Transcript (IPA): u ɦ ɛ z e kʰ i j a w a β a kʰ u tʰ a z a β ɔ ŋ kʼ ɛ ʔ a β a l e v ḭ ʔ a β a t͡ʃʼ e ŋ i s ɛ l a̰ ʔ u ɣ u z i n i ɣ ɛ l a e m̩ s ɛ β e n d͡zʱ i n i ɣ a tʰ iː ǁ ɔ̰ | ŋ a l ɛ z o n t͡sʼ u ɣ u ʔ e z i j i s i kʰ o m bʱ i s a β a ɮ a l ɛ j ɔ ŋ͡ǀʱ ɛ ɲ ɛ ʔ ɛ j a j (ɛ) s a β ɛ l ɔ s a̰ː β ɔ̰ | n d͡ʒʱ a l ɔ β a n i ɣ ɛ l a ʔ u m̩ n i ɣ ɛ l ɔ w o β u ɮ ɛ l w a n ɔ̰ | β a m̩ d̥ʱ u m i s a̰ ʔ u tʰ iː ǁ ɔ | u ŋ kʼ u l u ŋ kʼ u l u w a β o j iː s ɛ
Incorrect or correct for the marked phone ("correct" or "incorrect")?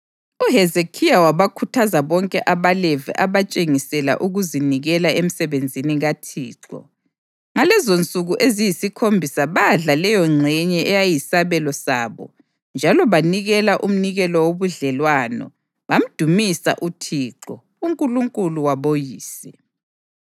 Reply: incorrect